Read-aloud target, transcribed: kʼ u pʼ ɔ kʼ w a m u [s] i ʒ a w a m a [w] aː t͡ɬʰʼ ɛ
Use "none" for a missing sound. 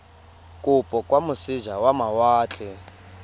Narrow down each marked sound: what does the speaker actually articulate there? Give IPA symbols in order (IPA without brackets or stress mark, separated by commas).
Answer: s, w